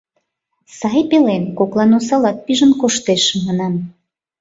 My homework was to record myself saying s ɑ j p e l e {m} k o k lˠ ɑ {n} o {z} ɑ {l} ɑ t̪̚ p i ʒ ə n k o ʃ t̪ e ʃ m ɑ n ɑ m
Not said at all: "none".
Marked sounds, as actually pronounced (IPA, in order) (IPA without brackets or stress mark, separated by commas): n, n, s, l